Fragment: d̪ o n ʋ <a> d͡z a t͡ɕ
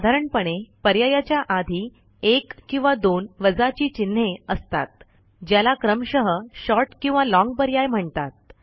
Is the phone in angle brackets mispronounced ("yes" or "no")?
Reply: yes